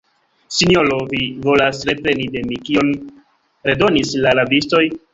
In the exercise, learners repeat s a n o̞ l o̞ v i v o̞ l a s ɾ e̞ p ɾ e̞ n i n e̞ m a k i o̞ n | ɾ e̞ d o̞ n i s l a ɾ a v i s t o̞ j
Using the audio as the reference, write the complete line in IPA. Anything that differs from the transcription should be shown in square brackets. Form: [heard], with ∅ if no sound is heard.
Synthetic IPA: s [i] n o̞ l o̞ v i v o̞ l a s ɾ e̞ p ɾ e̞ n i [d] e̞ m [i] k i o̞ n | ɾ e̞ d o̞ n i s l a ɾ a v i s t o̞ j